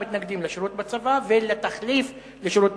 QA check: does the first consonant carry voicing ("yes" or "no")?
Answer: no